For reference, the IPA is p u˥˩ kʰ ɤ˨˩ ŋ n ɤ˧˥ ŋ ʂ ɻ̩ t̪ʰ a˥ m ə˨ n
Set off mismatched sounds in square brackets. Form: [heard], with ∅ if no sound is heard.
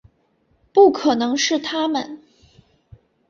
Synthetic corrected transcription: p u˥˩ kʰ ɤ˨˩ [∅] n ɤ˧˥ ŋ ʂ ɻ̩ t̪ʰ a˥ m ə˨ n